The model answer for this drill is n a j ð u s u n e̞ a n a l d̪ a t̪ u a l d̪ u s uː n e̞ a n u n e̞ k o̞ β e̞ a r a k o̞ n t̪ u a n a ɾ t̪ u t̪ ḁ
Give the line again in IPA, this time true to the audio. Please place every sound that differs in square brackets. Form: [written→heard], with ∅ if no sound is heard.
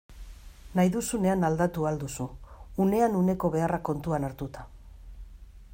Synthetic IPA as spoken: n a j ð u s u n e̞ a n a l d̪ a t̪ u a l d̪ u s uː n e̞ a n u n e̞ k o̞ β e̞ a r a k o̞ n t̪ u a n a ɾ t̪ u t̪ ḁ